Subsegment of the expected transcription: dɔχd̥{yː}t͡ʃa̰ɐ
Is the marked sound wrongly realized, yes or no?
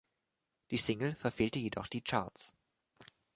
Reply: yes